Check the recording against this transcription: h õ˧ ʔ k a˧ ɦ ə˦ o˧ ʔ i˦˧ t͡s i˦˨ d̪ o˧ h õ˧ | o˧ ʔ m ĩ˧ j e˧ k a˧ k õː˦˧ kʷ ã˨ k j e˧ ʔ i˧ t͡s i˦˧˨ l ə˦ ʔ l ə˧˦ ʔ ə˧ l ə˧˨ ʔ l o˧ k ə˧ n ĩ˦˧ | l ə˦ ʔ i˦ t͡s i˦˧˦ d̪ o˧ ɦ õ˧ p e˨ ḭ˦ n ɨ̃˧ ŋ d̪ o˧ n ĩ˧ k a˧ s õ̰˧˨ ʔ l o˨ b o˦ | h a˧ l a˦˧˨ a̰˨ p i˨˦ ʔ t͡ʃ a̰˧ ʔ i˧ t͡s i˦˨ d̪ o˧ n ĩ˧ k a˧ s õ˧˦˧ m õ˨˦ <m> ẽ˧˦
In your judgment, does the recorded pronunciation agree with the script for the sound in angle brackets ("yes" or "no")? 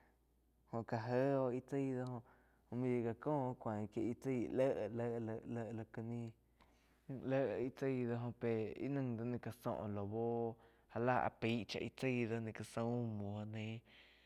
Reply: no